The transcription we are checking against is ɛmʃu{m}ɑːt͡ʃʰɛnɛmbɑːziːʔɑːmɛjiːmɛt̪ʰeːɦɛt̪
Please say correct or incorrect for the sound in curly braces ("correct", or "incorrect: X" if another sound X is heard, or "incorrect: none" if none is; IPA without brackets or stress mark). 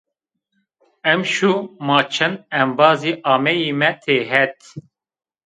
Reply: correct